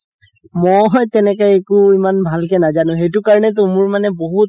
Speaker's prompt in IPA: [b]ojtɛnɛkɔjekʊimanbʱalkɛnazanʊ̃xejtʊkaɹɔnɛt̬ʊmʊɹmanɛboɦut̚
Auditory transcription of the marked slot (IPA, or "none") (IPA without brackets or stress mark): m